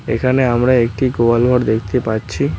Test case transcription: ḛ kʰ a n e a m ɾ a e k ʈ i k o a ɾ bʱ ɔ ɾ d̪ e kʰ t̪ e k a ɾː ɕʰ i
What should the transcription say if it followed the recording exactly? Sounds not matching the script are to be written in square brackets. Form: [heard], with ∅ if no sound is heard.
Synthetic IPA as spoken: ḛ kʰ a n e a m ɾ a e k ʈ i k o a [l] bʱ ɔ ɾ d̪ e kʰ t̪ e [p] a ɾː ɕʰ i